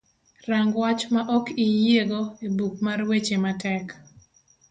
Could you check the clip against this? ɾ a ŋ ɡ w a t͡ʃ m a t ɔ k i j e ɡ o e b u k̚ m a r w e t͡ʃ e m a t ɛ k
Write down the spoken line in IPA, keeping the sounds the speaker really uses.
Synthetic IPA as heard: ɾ a ŋ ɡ w a t͡ʃ m a ʔ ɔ k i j e ɡ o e b u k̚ m a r w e t͡ʃ e m a t ɛ k